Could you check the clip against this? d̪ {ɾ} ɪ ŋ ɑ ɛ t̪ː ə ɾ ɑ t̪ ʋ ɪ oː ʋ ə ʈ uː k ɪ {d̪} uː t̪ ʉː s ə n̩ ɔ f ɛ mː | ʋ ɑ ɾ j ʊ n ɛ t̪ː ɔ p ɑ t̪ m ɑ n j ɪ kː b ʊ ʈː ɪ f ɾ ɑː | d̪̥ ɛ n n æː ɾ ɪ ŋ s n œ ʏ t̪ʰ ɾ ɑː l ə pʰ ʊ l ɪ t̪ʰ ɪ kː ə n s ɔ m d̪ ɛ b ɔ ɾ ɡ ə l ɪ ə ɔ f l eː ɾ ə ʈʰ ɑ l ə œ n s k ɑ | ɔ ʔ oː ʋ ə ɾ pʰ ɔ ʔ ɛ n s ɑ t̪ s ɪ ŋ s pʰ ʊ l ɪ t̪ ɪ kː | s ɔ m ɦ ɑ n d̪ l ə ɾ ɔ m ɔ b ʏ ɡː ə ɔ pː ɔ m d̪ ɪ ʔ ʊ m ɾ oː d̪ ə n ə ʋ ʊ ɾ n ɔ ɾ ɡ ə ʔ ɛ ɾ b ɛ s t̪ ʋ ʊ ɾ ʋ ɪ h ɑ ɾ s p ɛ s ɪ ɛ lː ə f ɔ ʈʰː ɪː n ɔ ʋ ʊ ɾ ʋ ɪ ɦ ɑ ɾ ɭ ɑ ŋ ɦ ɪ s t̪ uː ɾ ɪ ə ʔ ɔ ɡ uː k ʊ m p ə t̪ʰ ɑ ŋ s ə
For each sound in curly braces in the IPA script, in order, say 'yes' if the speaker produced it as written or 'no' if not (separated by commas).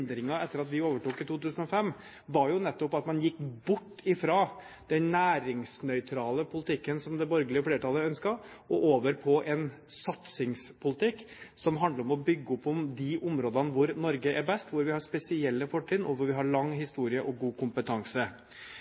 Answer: yes, no